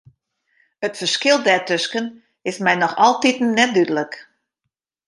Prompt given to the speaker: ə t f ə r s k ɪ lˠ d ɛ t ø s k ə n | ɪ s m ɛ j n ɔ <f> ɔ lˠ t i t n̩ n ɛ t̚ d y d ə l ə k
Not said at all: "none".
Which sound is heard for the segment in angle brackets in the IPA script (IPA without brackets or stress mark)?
x